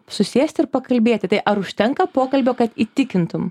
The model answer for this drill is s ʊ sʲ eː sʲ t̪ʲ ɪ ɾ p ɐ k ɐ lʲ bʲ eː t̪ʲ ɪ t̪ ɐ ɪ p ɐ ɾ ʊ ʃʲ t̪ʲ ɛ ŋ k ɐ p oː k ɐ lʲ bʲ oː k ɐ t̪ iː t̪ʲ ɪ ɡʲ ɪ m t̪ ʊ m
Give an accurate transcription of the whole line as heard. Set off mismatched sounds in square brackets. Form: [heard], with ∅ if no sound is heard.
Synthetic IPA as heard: s ʊ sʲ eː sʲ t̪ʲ ɪ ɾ p ɐ k ɐ lʲ bʲ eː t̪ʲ ɪ t̪ ɐ ɪ [ʔ] ɐ ɾ ʊ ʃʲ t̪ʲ ɛ ŋ k ɐ p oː k ɐ lʲ bʲ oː k ɐ t̪ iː t̪ʲ ɪ [kʲ] ɪ [n] t̪ ʊ m